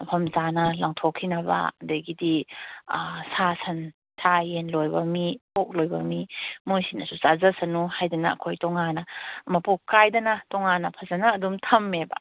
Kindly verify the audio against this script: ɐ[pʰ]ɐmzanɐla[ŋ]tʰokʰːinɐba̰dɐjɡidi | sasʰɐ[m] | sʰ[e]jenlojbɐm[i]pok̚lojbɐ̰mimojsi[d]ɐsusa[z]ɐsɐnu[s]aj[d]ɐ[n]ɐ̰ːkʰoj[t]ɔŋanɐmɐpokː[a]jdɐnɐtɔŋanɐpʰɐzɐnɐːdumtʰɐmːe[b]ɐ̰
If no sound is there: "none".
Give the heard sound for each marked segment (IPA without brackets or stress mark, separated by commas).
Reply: pʰ, ŋ, n, a, i, n, z, h, d, n, t, a, b